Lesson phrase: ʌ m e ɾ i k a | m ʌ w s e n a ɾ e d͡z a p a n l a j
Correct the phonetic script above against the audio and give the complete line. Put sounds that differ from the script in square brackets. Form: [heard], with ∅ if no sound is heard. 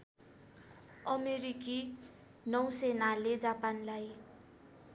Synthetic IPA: ʌ m e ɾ i k [i] | [n] ʌ w s e n a [l] e d͡z a p a n l a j